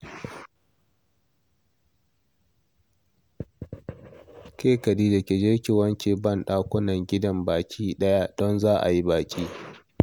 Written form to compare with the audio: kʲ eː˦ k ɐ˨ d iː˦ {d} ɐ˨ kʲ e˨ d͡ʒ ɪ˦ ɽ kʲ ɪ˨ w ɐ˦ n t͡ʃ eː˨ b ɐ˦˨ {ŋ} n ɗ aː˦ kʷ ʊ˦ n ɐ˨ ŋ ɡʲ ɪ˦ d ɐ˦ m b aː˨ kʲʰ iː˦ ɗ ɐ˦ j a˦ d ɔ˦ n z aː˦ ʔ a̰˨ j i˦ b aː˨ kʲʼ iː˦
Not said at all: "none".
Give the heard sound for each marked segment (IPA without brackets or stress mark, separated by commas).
d, none